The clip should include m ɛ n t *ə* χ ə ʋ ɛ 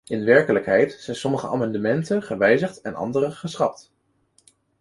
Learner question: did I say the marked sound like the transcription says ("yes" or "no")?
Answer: yes